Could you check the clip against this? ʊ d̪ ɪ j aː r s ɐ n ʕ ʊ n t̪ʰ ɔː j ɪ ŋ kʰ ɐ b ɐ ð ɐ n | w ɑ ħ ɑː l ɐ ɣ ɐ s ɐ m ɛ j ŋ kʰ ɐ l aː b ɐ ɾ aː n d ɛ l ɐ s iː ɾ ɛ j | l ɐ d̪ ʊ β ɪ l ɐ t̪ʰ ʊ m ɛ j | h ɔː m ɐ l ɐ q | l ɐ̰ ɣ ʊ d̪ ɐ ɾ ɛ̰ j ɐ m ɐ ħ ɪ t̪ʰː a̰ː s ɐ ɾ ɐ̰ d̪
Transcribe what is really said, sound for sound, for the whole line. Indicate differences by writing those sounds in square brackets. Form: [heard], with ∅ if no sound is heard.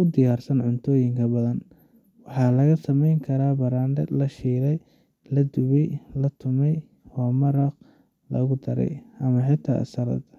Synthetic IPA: ʊ d̪ ɪ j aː r s ɐ n ʕ ʊ n t̪ʰ ɔː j ɪ ŋ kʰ ɐ b ɐ ð ɐ n | w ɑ ħ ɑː l ɐ ɣ ɐ s ɐ m ɛ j ŋ kʰ ɐ [ɾ] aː b ɐ ɾ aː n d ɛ l ɐ [ʃ] iː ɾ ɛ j | l ɐ d̪ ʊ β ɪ l ɐ t̪ʰ ʊ m ɛ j | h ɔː m ɐ [ɾ] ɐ q | l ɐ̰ ɣ ʊ d̪ ɐ ɾ ɛ̰ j ɐ m ɐ ħ ɪ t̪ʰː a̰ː s ɐ ɾ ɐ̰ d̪